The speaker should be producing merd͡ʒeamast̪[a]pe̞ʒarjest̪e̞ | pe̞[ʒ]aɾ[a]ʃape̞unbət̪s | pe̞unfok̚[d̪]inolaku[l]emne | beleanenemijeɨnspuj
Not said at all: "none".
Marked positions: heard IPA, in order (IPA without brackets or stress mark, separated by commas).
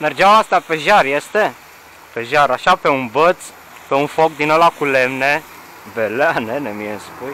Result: a, ʒ, a, d̪, l